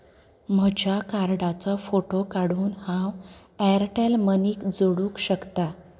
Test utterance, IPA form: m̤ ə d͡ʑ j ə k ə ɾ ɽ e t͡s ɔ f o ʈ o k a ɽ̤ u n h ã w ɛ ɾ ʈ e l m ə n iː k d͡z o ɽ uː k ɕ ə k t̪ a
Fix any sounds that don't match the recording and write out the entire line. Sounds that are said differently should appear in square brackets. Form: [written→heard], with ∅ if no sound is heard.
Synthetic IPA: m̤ ə d͡ʑ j [ə→a] k [ə→a] ɾ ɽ [e→a] t͡s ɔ f o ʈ o k a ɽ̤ [u→uː] n h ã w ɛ ɾ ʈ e l m ə n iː k d͡z o ɽ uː k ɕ ə k t̪ a